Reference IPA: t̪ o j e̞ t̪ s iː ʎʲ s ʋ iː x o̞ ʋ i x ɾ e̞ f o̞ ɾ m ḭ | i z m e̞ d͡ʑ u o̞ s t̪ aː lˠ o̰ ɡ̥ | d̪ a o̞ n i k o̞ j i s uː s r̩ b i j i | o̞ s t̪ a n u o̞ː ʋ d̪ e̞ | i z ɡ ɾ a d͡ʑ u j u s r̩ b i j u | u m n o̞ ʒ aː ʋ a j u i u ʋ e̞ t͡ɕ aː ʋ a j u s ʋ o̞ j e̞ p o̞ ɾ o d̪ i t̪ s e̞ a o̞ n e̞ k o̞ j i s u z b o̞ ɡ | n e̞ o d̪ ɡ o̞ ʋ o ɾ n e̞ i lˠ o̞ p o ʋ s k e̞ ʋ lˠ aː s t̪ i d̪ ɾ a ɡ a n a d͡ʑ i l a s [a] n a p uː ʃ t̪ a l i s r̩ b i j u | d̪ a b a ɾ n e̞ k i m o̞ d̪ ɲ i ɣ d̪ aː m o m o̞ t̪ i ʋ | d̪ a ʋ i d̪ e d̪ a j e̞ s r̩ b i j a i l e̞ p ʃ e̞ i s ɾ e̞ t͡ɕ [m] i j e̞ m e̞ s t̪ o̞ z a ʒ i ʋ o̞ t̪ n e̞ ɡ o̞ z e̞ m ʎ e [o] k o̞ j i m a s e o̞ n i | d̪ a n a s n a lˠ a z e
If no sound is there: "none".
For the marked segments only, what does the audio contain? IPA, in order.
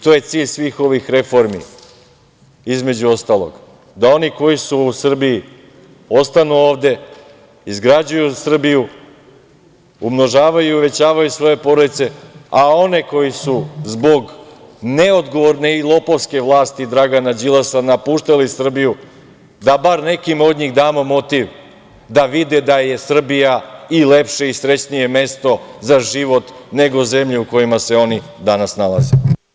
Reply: a, n, u

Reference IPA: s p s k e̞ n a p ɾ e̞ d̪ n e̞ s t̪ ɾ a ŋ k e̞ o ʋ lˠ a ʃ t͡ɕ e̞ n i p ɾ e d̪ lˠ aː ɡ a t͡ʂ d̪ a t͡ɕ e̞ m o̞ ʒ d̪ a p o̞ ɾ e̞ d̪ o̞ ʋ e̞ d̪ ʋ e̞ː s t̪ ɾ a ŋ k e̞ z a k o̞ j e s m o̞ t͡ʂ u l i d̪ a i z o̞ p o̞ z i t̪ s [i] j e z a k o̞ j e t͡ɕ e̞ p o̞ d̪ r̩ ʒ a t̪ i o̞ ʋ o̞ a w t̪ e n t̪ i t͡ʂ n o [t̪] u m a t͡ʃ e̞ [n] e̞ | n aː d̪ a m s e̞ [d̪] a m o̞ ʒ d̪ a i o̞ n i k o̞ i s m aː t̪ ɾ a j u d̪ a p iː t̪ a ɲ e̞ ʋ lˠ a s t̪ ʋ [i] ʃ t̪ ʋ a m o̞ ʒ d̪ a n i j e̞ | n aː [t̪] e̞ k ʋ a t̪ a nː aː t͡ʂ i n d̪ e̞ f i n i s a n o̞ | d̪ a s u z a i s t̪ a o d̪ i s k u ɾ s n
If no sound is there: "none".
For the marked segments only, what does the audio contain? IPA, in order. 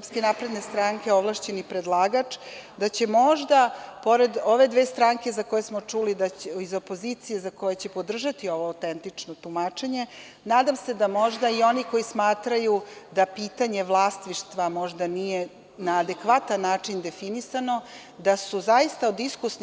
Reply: i, t̪, ɲ, d̪, i, d̪

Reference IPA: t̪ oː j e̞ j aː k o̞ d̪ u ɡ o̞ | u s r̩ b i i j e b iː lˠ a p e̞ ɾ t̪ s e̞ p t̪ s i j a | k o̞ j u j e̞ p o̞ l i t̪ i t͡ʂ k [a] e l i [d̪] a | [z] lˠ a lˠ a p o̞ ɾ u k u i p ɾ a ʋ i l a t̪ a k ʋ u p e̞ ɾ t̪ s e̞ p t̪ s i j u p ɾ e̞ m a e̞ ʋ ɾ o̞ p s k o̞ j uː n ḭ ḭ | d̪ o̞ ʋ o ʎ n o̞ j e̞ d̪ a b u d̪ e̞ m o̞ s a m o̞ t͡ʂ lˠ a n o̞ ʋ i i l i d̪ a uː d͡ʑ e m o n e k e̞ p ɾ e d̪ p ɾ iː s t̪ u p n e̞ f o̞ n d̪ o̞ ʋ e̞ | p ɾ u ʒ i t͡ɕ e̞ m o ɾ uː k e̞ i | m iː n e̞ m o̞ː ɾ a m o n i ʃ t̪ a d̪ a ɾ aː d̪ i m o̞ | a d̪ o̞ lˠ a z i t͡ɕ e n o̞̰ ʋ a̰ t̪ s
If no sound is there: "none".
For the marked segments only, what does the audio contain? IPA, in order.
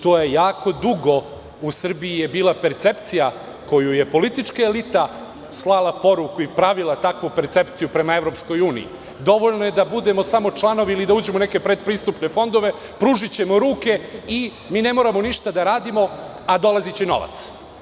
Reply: a, t̪, s

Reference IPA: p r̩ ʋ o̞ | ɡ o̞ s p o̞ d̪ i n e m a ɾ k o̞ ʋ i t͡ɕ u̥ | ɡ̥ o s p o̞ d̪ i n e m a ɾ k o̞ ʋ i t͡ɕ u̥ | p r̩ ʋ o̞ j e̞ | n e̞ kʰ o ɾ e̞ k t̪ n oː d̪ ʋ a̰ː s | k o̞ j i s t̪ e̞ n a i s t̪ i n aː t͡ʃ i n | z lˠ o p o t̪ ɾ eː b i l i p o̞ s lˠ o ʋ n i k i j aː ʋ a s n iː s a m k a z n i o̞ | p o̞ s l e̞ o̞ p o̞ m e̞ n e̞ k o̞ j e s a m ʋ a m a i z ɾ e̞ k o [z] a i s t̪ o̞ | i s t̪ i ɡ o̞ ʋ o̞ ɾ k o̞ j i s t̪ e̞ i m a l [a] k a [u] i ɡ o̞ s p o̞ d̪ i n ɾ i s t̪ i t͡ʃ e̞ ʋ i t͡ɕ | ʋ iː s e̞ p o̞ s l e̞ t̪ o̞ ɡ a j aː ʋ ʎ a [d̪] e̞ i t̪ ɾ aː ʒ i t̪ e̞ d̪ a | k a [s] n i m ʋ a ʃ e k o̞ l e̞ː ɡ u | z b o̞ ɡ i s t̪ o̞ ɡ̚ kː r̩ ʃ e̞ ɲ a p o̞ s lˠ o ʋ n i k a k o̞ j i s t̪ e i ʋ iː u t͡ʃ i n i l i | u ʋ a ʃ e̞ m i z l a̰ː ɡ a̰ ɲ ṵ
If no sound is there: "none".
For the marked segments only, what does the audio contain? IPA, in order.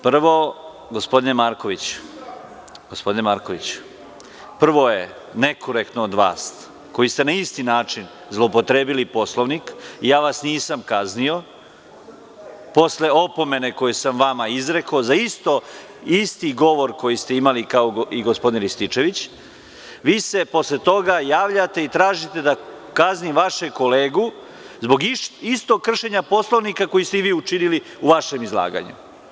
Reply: z, i, o, t̪, z

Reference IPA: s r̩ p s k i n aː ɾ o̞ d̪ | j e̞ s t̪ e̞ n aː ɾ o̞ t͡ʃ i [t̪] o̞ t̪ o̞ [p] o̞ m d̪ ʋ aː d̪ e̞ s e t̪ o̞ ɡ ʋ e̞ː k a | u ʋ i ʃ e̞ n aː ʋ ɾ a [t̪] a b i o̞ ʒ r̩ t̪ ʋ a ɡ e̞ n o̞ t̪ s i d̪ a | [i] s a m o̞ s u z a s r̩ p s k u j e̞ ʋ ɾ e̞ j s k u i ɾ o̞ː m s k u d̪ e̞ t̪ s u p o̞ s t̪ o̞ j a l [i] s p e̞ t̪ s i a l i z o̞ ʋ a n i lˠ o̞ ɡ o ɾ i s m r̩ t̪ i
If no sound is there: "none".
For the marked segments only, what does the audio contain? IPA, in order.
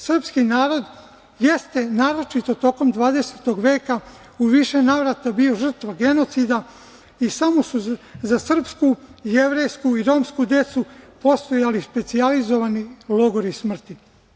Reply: t̪, k, t̪, i, i

